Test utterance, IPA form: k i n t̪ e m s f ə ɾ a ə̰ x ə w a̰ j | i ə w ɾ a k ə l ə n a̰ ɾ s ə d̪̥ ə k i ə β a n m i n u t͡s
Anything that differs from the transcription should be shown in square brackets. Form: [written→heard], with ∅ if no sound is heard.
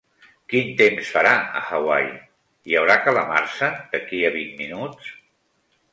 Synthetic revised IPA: k i n t̪ e m s f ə ɾ a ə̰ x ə w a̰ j | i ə w ɾ a k ə l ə [n→m] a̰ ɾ s ə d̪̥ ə k i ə β [a→i] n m i n u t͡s